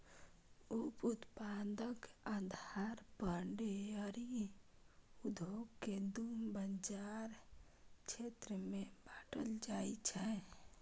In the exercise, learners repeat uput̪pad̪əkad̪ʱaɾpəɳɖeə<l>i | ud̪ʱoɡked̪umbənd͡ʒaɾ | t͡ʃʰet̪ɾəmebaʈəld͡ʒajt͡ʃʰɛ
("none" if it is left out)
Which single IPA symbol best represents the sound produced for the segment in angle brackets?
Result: ɾ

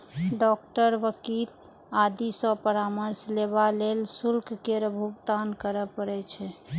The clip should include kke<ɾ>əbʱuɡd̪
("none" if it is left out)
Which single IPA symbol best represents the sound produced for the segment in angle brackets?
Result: ɾ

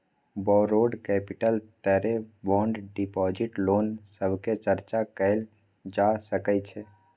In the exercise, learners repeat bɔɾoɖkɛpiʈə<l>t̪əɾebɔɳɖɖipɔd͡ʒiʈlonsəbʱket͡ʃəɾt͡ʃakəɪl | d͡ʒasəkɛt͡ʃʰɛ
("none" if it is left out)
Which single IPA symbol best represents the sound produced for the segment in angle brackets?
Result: l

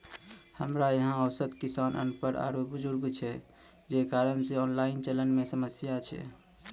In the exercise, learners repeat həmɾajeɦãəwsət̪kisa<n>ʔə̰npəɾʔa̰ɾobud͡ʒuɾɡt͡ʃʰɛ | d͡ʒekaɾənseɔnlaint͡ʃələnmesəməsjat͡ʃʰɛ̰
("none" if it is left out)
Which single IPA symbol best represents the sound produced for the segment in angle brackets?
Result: n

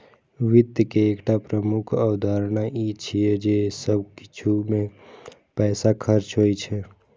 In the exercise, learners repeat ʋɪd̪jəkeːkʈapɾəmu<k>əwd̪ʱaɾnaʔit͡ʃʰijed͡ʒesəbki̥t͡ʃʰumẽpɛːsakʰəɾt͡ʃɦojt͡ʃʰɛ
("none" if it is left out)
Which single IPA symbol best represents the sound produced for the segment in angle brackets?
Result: kʰ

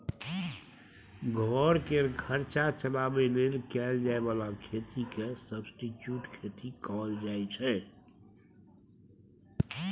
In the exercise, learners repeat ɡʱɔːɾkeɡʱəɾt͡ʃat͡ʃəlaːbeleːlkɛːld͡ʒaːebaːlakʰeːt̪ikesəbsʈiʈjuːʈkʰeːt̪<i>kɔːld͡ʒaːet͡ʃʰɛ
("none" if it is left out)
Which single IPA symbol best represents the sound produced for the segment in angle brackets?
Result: i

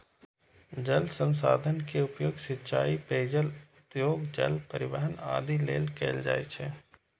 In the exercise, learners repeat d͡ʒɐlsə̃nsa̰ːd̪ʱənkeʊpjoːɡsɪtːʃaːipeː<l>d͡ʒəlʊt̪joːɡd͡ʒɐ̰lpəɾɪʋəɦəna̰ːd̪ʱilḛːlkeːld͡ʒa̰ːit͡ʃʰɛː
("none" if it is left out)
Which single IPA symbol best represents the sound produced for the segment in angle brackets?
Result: none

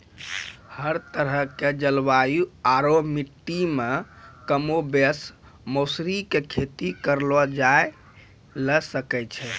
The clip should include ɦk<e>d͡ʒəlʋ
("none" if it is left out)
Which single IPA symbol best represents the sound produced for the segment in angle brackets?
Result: e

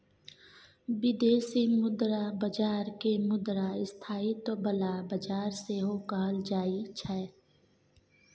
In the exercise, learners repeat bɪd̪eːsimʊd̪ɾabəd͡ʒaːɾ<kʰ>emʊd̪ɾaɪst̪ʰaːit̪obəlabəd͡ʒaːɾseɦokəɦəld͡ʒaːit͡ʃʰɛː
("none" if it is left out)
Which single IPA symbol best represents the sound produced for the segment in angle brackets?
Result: k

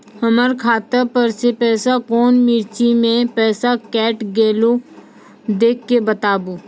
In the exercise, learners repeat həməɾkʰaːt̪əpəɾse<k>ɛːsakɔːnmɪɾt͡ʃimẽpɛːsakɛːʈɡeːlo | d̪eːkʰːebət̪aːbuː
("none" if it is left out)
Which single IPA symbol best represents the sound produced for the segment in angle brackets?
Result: p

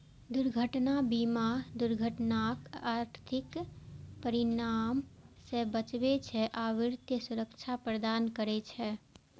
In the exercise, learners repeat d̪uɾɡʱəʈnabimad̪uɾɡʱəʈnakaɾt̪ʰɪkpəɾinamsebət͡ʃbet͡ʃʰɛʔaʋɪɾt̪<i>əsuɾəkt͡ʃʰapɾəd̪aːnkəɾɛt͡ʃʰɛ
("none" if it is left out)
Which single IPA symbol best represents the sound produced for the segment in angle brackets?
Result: j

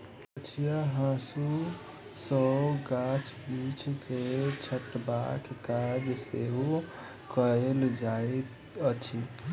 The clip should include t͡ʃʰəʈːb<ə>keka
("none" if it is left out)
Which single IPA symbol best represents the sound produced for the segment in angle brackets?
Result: a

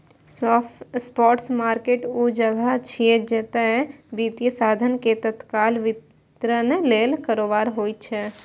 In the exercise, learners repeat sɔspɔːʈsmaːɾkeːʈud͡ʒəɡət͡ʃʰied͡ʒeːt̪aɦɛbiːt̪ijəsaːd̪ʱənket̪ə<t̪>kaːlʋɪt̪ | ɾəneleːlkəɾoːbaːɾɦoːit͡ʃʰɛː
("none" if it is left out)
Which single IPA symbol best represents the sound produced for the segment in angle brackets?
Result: t̪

